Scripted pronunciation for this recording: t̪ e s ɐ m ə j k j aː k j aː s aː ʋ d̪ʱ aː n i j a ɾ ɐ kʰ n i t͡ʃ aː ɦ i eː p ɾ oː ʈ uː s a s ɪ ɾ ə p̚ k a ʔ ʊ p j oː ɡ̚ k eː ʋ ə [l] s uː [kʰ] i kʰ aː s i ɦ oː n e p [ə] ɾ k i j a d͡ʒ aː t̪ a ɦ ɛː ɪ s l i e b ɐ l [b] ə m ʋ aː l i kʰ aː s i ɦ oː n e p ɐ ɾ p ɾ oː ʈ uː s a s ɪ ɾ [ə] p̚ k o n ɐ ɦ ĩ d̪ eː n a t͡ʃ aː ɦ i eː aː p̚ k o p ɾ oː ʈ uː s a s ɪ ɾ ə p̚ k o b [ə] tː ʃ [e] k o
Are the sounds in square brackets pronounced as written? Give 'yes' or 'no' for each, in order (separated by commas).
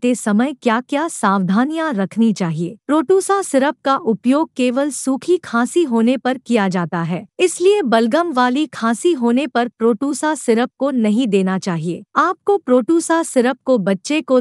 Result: yes, yes, no, no, yes, no, yes